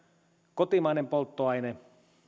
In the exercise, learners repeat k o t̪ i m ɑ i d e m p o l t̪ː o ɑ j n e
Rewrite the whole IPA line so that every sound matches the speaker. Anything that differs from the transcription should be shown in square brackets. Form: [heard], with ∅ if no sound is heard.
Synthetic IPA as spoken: k o t̪ i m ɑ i [n] e m p o l t̪ː o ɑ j n e